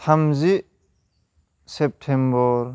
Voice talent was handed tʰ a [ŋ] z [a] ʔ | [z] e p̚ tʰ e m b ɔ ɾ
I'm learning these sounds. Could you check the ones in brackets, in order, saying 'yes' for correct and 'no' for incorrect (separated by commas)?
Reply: no, no, no